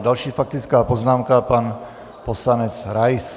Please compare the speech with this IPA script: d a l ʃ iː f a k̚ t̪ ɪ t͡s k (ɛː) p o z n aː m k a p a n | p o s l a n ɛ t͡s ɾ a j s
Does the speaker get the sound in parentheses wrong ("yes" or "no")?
yes